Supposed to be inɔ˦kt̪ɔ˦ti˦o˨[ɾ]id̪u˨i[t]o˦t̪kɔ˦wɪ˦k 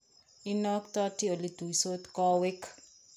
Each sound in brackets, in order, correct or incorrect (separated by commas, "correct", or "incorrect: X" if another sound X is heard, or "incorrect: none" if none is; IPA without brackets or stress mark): incorrect: l, incorrect: s